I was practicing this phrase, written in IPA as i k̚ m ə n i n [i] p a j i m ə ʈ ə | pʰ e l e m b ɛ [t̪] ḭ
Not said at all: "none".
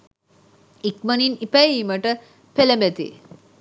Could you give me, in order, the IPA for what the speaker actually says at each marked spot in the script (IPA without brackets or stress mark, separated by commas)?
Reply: i, t̪